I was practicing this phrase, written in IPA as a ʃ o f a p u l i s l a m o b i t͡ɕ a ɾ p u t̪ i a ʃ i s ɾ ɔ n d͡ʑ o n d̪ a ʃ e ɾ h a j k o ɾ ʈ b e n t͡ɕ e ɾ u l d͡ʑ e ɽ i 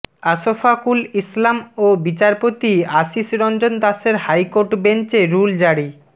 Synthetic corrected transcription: a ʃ o f a k u l i s l a m o b i t͡ɕ a ɾ p o t̪ i a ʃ i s ɾ ɔ n d͡ʑ o n d̪ a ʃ e ɾ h a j k o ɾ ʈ b e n t͡ɕ e ɾ u l d͡ʑ a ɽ i